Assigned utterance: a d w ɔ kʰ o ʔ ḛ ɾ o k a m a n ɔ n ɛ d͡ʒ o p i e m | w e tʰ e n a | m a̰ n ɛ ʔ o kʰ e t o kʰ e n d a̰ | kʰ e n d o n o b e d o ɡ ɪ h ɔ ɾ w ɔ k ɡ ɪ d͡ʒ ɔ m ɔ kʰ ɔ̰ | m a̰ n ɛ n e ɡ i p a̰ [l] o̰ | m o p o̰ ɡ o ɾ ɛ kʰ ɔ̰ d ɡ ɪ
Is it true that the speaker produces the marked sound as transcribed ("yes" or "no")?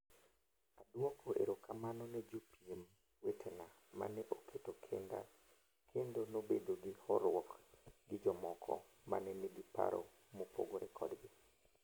no